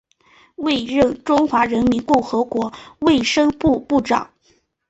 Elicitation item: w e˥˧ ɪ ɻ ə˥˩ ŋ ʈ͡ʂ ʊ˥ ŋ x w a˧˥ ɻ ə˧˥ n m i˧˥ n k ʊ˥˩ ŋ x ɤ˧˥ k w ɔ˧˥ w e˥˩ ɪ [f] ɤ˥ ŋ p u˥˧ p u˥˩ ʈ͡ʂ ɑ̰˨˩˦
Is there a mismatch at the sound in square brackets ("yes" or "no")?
yes